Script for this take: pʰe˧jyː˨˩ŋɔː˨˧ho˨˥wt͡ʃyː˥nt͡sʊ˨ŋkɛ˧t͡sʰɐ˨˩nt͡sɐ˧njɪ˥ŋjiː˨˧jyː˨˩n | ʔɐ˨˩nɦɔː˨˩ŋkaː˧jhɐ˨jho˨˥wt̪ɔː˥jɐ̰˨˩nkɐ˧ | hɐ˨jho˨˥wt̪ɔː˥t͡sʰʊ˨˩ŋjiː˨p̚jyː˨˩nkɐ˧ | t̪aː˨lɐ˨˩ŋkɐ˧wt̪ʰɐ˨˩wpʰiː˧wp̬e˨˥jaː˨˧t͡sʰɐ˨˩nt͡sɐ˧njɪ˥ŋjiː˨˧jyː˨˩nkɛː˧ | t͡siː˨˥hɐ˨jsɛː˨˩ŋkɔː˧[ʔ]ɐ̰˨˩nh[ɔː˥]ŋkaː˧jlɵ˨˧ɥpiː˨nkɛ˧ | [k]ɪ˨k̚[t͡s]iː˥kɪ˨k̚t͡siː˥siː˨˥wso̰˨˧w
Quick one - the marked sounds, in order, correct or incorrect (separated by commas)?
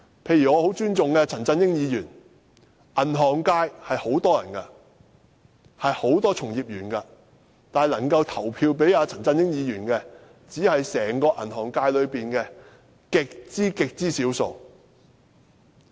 correct, incorrect, correct, correct